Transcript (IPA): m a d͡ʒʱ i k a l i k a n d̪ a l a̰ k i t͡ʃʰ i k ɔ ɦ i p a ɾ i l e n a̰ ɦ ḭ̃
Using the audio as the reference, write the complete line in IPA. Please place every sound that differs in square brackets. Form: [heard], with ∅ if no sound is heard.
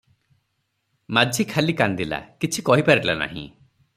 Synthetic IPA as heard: m a d͡ʒʱ i [kʰ] a l i k a n d̪ [i] l a̰ k i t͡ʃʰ i k ɔ ɦ i p a ɾ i l [a] n a̰ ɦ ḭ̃